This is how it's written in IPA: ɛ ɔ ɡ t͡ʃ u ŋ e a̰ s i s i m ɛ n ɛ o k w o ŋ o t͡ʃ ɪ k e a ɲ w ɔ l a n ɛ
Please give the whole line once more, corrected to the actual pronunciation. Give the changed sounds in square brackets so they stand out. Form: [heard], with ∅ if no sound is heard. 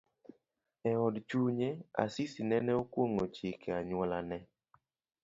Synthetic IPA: ɛ ɔ [d] t͡ʃ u [ɲ] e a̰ s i s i [n] ɛ n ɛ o k w o ŋ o t͡ʃ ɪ k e a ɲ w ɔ l a n ɛ